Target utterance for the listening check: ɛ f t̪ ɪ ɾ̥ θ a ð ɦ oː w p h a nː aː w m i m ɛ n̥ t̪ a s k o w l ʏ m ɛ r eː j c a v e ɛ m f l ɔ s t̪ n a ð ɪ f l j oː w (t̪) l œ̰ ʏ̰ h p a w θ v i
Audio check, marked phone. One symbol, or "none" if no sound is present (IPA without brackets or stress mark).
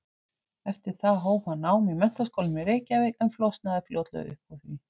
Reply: t̪